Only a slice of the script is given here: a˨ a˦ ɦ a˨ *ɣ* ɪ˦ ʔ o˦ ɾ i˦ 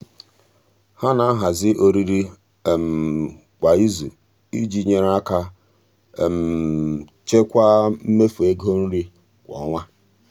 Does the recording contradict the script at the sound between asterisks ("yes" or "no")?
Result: yes